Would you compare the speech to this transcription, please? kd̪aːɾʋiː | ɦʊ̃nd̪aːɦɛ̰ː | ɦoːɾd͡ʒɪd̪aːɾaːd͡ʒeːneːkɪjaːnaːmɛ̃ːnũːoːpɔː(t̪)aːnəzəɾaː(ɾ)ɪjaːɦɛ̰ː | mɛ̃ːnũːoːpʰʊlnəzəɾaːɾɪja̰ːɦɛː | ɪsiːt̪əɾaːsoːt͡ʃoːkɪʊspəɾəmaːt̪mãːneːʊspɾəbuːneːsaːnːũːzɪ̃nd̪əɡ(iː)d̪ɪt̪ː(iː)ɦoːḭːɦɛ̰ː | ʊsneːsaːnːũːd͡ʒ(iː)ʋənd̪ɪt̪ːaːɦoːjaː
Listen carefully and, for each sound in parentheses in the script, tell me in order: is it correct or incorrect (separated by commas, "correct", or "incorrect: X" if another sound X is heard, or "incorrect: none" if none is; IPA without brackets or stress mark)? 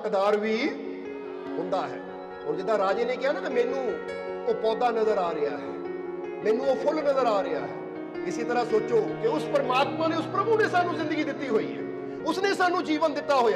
incorrect: d̪, correct, correct, correct, correct